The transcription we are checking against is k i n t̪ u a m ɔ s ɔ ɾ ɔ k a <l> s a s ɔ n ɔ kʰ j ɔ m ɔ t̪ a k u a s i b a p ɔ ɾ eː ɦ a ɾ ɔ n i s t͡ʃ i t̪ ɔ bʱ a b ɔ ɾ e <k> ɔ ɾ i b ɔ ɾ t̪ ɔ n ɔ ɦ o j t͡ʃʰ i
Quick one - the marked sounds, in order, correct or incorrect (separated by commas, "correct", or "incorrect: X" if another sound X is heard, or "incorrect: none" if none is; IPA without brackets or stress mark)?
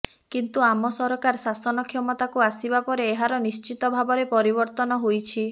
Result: incorrect: ɾ, incorrect: p